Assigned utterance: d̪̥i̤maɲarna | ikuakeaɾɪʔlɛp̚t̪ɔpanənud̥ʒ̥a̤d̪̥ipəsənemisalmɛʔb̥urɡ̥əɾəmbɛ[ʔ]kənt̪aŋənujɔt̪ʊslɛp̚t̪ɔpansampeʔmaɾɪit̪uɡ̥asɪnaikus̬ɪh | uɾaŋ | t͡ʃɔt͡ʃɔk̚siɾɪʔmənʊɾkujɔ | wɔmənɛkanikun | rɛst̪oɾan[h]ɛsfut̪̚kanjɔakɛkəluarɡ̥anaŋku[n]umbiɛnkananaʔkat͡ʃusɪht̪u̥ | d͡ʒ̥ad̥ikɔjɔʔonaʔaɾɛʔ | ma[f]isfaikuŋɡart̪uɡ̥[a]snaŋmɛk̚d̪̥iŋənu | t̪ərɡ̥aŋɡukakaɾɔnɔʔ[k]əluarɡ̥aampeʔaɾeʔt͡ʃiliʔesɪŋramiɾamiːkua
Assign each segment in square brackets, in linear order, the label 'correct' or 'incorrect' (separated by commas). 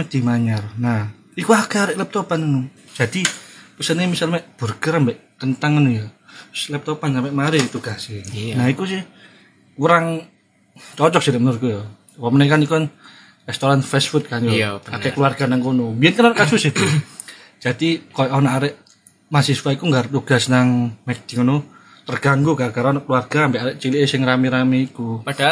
correct, incorrect, correct, incorrect, correct, correct